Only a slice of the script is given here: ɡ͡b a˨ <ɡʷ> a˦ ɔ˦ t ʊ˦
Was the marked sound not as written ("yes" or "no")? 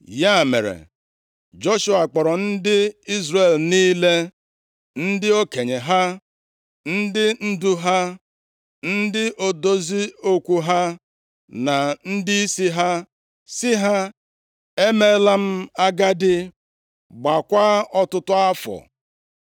yes